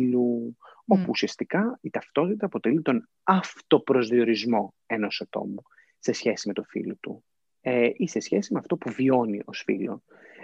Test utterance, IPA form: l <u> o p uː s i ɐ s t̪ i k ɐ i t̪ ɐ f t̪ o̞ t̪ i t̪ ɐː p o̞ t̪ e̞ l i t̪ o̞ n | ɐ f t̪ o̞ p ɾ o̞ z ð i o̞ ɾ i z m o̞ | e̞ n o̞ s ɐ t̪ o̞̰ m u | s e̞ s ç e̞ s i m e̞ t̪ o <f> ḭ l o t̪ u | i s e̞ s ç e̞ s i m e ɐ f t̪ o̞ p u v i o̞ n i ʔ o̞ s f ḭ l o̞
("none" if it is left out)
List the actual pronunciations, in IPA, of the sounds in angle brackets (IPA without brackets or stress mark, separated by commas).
u, f